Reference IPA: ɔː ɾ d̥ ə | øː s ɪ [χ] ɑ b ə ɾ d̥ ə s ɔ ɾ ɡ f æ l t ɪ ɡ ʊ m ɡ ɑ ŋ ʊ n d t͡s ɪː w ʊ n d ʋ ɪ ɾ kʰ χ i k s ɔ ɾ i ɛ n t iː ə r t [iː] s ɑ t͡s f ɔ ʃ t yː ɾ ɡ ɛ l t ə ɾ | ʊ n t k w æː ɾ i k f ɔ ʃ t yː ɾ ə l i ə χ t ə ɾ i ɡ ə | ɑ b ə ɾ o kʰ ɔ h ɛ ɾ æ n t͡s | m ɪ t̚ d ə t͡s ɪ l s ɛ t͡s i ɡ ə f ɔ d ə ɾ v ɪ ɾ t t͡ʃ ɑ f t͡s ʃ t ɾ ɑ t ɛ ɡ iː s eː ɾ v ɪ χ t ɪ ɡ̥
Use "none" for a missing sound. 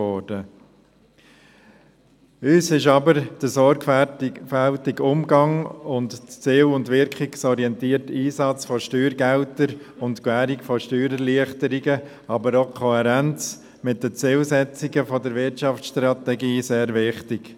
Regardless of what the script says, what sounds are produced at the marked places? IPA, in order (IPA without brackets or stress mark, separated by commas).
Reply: ʃ, iː